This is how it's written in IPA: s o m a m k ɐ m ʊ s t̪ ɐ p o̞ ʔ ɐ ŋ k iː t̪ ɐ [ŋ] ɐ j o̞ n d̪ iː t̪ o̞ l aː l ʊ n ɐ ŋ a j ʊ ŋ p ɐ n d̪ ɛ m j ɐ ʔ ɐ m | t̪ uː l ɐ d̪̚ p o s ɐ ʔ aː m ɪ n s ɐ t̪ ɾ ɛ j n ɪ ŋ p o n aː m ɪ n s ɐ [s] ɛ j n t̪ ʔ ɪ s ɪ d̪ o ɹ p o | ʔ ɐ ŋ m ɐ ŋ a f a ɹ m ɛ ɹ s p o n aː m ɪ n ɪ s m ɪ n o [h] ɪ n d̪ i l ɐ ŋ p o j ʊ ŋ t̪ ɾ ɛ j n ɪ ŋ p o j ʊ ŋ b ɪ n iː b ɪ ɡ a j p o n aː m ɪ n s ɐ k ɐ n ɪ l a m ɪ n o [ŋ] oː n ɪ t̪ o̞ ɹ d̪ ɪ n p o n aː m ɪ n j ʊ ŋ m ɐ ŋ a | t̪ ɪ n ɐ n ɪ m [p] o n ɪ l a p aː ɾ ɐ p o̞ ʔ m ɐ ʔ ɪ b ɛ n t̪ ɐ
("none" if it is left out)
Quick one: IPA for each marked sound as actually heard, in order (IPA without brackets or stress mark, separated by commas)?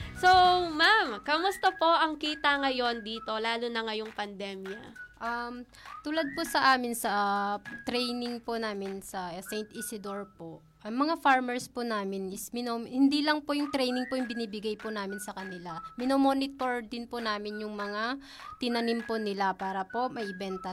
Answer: ŋ, s, h, m, p